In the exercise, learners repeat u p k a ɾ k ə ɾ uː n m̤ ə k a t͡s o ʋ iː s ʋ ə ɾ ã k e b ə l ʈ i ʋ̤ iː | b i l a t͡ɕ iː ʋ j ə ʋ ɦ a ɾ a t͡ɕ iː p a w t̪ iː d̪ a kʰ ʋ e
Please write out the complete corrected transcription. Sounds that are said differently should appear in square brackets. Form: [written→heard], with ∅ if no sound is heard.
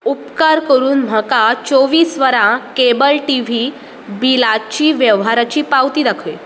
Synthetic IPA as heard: u p k a ɾ k ə ɾ uː n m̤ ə k a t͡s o ʋ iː s ʋ ə ɾ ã k e b ə l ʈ i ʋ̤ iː | b i l a t͡ɕ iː ʋ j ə ʋ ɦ a ɾ a t͡ɕ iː p a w t̪ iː d̪ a kʰ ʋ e